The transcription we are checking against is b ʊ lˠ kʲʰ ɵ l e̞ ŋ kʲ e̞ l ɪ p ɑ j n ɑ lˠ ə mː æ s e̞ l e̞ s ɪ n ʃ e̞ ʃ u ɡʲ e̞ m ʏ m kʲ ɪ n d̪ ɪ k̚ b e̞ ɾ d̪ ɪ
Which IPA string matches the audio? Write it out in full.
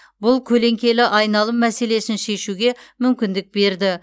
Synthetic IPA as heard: b ʊ lˠ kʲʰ ɵ l e̞ ŋ kʲ e̞ l ɪ ʔ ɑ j n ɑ lˠ ə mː æ s e̞ l e̞ s ɪ n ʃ e̞ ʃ u ɡʲ e̞ m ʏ m kʲ ɪ n d̪ ɪ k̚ b e̞ ɾ d̪ ɪ